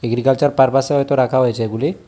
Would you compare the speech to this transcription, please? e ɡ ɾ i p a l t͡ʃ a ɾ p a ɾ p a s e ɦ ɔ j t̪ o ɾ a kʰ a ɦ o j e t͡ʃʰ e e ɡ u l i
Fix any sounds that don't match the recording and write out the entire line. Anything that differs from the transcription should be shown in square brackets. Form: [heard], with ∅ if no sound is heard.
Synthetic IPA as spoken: e ɡ ɾ i [k] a l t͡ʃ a ɾ p a ɾ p a s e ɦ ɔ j t̪ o ɾ a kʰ a ɦ o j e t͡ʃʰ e e ɡ u l i